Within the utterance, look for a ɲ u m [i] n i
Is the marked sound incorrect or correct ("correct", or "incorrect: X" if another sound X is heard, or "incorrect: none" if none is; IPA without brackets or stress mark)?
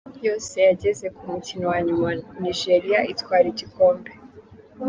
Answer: incorrect: a